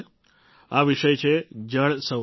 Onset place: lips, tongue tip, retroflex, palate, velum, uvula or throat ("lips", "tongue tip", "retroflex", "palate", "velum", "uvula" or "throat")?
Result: lips